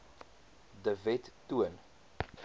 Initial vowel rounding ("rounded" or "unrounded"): unrounded